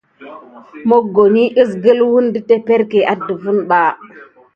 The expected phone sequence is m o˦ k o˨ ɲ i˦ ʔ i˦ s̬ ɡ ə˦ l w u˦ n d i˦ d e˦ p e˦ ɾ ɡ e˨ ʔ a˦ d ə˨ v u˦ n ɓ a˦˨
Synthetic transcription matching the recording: m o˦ ɡ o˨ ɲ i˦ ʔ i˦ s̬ ɡ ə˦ l w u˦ n d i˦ t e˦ p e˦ ɾ k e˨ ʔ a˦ d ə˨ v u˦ n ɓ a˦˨

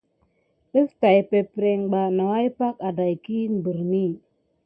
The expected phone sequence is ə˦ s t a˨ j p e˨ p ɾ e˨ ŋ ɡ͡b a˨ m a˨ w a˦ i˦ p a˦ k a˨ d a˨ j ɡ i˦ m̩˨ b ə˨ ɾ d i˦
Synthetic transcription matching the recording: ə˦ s t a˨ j p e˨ p ɾ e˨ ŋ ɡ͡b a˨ n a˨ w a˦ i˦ p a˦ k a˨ d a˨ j k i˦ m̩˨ b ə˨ ɾ n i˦

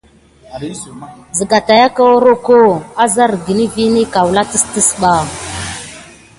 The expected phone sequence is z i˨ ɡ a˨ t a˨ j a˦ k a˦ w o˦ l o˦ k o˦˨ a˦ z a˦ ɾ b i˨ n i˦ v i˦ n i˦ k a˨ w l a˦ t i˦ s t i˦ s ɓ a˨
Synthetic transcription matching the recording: z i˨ ɡ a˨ t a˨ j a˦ k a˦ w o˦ ɾ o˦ k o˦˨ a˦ z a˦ ɾ ɡ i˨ n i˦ v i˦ n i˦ k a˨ w l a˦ t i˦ s t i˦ s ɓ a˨

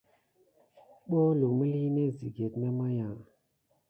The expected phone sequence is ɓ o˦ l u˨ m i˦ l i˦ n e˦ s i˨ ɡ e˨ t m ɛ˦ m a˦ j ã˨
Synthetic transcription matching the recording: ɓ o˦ l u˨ m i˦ l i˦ n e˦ z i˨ ɡ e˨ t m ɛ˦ m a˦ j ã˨

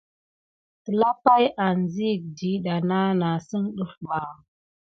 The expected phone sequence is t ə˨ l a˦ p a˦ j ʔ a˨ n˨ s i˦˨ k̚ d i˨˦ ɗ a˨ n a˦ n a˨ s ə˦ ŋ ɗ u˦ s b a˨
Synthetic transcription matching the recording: t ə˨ l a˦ p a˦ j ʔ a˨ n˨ z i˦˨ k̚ d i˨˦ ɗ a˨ n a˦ n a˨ s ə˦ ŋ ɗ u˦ f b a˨

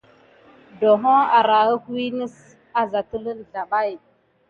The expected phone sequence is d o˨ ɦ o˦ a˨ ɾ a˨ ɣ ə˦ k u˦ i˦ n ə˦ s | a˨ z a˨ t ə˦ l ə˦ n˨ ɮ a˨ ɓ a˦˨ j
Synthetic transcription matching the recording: d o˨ ɦ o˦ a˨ ɾ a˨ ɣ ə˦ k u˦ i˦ n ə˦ s | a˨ z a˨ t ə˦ l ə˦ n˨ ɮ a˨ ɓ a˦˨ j

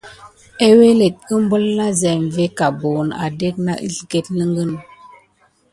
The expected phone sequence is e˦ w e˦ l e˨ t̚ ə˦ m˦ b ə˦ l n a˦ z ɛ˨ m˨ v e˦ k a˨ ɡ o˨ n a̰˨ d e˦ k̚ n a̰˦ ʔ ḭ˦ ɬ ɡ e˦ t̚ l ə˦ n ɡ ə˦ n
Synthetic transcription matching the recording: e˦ w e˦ l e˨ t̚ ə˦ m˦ b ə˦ l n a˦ z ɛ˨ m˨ v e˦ k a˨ b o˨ n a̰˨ d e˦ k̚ n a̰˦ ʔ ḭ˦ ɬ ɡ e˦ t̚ l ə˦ ŋ ɡ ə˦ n

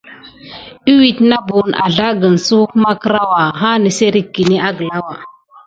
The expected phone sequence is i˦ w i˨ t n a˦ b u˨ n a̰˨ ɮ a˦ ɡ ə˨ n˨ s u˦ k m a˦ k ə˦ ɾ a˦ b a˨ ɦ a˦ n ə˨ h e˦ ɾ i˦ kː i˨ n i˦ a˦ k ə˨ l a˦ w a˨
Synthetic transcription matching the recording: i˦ w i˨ t n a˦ b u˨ n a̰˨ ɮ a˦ ɡ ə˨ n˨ s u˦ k m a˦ k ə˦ ɾ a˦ w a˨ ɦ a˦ n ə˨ s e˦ ɾ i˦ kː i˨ n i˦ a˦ ɡ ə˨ l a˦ w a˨

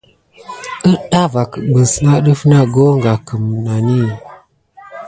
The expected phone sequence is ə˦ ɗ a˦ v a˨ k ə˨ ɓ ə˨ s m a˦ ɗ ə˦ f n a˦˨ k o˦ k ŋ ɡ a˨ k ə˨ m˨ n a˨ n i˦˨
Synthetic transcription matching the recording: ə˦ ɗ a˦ v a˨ k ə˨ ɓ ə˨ s n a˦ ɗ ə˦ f n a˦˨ ɡ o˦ ŋ ɡ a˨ k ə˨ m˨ n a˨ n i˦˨

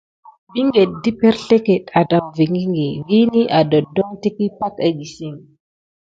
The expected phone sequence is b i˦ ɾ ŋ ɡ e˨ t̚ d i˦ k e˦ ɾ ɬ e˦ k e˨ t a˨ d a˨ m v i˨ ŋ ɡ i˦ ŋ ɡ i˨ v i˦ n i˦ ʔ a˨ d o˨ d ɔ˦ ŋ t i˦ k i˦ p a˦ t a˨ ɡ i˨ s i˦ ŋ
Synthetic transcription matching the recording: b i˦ ŋ ɡ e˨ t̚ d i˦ p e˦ ɾ ɬ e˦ k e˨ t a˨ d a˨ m v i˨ ŋ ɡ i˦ ŋ ɡ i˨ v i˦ n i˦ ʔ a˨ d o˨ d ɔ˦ ŋ t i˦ k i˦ p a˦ k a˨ ɡ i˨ s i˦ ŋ

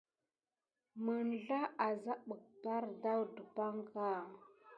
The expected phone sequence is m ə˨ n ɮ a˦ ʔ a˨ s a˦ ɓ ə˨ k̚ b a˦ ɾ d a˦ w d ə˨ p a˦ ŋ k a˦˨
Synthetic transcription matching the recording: m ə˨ n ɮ a˦ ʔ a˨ z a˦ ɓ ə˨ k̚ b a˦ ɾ d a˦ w d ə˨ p a˦ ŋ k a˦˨

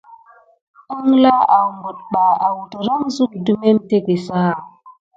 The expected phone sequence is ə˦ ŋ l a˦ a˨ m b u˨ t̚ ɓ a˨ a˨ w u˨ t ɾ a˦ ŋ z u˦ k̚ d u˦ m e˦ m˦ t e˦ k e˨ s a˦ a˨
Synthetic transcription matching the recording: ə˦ ŋ l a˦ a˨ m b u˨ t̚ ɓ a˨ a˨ w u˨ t ɾ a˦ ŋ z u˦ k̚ d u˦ m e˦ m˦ t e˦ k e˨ s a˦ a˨

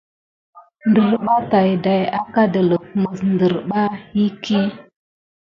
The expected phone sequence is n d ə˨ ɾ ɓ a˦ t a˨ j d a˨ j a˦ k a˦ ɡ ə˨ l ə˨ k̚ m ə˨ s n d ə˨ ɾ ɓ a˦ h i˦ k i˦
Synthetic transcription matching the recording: n d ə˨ ɾ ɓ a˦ t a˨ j d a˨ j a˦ k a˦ d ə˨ l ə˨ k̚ m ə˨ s n d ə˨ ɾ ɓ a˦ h i˦ k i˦

